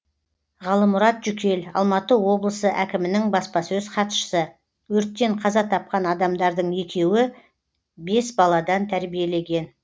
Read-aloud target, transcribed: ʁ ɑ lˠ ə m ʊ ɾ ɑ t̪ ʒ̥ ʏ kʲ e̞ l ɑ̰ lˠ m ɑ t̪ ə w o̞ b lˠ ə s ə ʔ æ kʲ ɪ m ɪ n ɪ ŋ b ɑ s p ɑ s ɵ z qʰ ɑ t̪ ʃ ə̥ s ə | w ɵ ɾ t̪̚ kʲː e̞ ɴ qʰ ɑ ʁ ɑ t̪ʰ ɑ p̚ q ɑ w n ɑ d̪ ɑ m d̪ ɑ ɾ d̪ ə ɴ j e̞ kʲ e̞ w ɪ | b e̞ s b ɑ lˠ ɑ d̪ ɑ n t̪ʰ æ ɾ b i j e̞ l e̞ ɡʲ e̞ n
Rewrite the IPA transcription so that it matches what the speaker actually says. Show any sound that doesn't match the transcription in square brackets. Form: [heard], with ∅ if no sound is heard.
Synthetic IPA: ʁ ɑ lˠ ə m ʊ ɾ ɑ t̪ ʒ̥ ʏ kʲ e̞ l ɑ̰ lˠ m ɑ t̪ ə w o̞ b lˠ ə s ə ʔ æ kʲ ɪ m ɪ n ɪ ŋ b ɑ s p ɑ s ɵ z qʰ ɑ t̪ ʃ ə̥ s ə | w ɵ ɾ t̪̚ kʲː e̞ ɴ qʰ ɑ [z] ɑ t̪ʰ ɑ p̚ q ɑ [∅] n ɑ d̪ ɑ m d̪ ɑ ɾ d̪ ə ɴ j e̞ kʲ e̞ w ɪ | b e̞ s b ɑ lˠ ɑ d̪ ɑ n t̪ʰ æ ɾ b i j e̞ l e̞ ɡʲ e̞ n